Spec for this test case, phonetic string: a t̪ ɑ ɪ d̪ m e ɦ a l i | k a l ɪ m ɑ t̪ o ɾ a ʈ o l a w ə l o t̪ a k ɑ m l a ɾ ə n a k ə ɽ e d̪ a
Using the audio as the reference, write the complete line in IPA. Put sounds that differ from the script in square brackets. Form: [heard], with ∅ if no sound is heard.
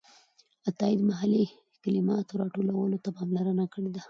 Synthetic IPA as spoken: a t̪ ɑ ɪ d̪ m [a] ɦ a l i | k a l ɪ m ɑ t̪ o ɾ [ɑ] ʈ o l a w ə l o t̪ a [p] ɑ m l a ɾ ə n a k ə ɽ e d̪ a